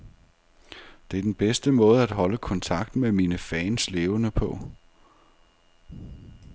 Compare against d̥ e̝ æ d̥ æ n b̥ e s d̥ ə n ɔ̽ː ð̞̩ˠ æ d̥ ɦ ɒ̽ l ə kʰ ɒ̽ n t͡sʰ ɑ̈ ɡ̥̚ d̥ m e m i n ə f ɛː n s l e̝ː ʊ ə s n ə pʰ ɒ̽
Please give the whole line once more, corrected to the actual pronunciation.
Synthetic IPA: d̥ e̝ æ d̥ e n b̥ e s d̥ ə m ɔ̽ː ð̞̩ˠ æ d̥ ɦ ɒ̽ l ə kʰ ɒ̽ n t͡sʰ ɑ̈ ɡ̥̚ d̥ m e m i n ə f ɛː n s l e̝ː ʊ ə n ə pʰ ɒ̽

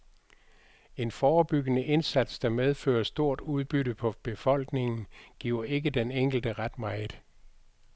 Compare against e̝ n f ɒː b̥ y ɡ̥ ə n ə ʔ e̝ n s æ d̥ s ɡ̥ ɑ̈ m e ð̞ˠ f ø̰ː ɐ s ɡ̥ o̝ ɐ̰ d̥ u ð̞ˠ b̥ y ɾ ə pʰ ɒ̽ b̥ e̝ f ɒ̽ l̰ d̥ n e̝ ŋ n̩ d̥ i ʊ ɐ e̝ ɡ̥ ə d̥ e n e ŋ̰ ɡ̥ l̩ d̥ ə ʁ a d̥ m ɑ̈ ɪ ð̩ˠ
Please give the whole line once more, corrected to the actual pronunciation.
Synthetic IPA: e̝ n f ɒː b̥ y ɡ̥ ə n ə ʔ e̝ n s æ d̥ s d̥ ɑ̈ m e ð̞ˠ f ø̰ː ɐ s d̥ o̝ ɐ̰ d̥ u ð̞ˠ b̥ y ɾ ə pʰ ɒ̽ b̥ e̝ f ɒ̽ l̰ ɡ̥ n e̝ ŋ n̩ ɡ̥ i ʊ ɐ e̝ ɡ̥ ə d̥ e n e ŋ̰ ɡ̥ l̩ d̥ ə ʁ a d̥ m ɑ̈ ɪ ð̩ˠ

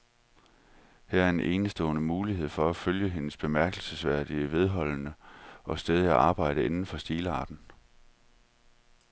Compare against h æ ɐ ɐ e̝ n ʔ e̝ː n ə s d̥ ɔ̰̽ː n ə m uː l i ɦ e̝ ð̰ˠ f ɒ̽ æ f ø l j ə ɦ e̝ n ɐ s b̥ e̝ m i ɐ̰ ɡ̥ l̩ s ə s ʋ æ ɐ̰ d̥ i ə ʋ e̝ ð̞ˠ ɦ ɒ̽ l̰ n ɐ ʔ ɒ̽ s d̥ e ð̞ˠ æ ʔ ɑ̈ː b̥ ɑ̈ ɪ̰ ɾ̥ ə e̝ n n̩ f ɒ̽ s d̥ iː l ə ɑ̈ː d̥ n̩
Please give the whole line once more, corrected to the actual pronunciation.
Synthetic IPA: h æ ɐ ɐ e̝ n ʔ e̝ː n ə s d̥ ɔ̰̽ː n ə m uː l i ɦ e̝ ð̰ˠ f ɒ̽ æ f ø l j ə ɦ e̝ n ə s b̥ e̝ m æ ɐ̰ ɡ̥ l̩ s ə s ʋ æ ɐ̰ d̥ i ə ʋ e̝ ð̞ˠ ɦ ɒ̽ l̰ n ə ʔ ɒ̽ s d̥ e ð̞ˠ æ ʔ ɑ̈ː b̥ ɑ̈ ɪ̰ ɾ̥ ə e̝ n n̩ f ɒ̽ s d̥ iː l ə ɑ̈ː d̥ n̩

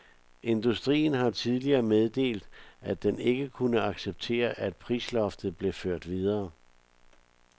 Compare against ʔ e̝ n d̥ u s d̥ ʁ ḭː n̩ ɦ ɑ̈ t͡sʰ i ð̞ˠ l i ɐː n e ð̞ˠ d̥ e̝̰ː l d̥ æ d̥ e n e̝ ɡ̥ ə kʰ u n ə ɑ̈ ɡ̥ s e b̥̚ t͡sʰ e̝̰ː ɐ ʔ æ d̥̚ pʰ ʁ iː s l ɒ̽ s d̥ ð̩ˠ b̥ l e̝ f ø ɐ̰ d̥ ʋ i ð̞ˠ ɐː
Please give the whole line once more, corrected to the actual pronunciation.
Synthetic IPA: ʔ e̝ n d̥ u s d̥ ʁ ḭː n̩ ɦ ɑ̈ t͡sʰ i ð̞ˠ l i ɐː m e ð̞ˠ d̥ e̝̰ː l d̥ æ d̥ e n e̝ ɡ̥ ə kʰ u n ə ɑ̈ ɡ̥ s e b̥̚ t͡sʰ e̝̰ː ɐ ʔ æ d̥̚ pʰ ʁ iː s l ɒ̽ f d̥ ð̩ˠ b̥ l e̝ f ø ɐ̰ d̥ ʋ i ð̞ˠ ɐː

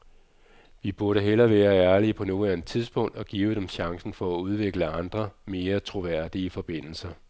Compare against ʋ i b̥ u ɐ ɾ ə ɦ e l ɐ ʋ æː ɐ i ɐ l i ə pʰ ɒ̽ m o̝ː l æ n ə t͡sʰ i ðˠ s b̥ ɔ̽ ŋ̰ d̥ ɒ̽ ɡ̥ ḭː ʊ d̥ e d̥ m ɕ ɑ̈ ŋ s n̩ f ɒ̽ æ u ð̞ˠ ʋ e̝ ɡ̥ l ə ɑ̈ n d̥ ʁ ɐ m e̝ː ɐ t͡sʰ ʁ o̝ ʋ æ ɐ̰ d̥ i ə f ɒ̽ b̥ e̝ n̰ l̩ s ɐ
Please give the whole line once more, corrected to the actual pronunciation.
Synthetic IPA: ʋ i b̥ u ɐ ɾ ə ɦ e l ɐ ʋ æː ɐ æ ɐ l i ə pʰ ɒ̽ n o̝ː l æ n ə t͡sʰ i ðˠ s b̥ ɔ̽ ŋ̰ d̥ ɒ̽ ɡ̥ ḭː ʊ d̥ e m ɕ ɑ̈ ŋ s n̩ f ɒ̽ æ u ð̞ˠ ʋ e̝ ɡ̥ l ə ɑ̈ n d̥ ʁ ɐ m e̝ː ɐ t͡sʰ ʁ o̝ ʋ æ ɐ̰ d̥ i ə f ɒ̽ b̥ e̝ n̰ l̩ s ɐ

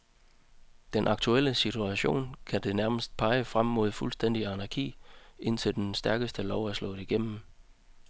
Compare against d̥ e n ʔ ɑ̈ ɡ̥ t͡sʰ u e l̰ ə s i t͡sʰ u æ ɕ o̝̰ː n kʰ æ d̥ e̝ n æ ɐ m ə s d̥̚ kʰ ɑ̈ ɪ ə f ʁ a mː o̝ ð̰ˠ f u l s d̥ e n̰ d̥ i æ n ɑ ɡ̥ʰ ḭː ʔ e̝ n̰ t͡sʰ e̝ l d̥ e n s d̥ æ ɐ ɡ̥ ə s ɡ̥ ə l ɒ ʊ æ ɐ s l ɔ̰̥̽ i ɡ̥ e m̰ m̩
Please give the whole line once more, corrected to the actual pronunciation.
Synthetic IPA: d̥ e n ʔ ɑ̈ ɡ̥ t͡sʰ u e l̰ ə s i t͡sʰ u æ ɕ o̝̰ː n kʰ æ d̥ e̝ n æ ɐ m ə s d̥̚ pʰ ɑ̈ ɪ ə f ʁ a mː o̝ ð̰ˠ f u l s d̥ e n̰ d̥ i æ n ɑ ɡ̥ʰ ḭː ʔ e̝ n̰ t͡sʰ e̝ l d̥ e n s d̥ æ ɐ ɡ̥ ə s d̥ ə l ɒ ʊ æ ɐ s l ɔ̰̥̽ i ɡ̥ e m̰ m̩

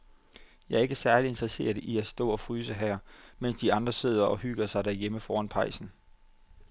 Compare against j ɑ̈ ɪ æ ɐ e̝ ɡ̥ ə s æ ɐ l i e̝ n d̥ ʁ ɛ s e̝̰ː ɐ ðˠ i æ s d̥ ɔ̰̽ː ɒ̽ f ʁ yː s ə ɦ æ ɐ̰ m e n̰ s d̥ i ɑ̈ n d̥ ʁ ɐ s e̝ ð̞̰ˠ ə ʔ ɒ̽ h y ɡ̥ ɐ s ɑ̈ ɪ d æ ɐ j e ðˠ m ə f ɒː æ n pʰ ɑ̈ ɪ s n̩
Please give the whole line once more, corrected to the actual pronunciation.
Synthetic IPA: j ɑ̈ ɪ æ ɐ e̝ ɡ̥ ə s æ ɐ l i e̝ n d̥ ʁ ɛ s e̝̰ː ɐ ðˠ i æ s d̥ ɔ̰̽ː ɒ̽ f ʁ yː s ə ɦ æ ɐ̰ m e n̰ s d̥ i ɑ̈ n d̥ ʁ ɐ s e̝ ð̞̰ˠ ɐ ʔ ɒ̽ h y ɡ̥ ɐ s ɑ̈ ɪ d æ ɐ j e m ə f ɒː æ n pʰ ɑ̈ ɪ s n̩

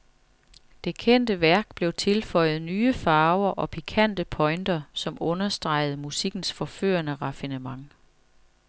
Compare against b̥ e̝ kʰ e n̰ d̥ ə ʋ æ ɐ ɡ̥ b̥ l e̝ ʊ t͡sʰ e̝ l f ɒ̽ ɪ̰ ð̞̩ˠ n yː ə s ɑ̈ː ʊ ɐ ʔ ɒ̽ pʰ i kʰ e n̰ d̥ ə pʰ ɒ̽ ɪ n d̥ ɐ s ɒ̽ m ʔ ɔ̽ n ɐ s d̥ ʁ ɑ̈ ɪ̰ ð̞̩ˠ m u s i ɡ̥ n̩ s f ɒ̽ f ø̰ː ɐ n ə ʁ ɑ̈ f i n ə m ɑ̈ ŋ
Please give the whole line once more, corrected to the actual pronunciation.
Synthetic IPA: d̥ e̝ kʰ e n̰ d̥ ə ʋ æ ɐ ɡ̥ b̥ l e̝ ʊ t͡sʰ e̝ l f ɒ̽ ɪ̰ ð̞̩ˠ n yː ə f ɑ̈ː ʊ ɐ ʔ ɒ̽ pʰ i kʰ æ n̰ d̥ ə pʰ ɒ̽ ɪ n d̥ ɐ s ɒ̽ m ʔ ɔ̽ n ɐ s d̥ ʁ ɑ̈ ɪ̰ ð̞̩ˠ m u s i ɡ̥ n̩ s f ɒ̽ f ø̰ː ɐ n ə ʁ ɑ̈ f i n ə m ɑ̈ ŋ

